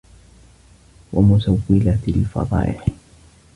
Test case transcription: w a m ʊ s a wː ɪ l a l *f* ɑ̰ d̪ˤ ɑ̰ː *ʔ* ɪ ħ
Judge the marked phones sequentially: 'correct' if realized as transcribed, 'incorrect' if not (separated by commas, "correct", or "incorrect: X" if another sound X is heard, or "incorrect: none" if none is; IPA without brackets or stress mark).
correct, correct